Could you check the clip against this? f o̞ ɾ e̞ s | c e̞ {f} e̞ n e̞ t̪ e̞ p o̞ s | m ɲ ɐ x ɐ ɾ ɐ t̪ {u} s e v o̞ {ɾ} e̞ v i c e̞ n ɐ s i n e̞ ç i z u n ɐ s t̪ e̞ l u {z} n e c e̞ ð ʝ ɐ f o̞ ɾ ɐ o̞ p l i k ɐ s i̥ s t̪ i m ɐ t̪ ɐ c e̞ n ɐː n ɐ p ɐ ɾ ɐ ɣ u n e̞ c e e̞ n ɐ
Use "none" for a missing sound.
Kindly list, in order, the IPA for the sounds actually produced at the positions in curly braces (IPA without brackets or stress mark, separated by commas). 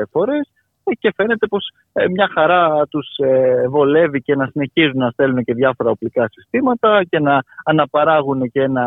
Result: f, u, l, none